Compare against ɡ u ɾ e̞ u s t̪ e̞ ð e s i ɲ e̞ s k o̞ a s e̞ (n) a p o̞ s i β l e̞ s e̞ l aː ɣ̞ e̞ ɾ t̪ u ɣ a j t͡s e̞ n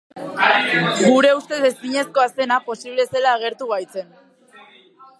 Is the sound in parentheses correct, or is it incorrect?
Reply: correct